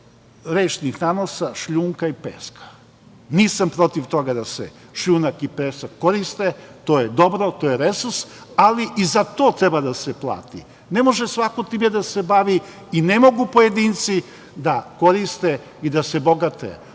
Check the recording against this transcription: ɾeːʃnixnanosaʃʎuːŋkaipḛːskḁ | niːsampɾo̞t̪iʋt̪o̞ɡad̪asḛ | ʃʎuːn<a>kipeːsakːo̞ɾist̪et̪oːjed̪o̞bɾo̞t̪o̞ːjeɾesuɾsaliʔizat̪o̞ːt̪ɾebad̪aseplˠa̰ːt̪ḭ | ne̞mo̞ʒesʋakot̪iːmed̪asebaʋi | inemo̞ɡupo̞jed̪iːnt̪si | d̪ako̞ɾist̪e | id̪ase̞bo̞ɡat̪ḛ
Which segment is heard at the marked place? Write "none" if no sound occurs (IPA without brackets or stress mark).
a